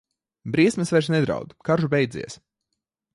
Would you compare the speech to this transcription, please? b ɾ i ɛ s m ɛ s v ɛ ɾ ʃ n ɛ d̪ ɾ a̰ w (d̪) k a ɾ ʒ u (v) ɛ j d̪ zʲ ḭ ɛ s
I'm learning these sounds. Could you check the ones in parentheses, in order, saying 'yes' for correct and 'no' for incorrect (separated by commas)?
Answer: yes, no